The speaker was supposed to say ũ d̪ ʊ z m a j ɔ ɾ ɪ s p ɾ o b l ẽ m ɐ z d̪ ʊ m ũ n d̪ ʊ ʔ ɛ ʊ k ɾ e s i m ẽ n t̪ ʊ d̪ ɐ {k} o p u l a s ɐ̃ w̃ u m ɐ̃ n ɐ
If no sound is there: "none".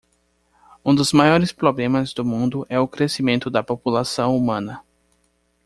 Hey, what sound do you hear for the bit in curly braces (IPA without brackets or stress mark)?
p